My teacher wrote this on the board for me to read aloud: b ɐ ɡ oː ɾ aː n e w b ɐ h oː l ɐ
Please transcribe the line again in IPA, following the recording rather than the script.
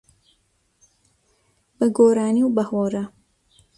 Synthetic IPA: b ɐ ɡ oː ɾ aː n i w b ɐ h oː ɾ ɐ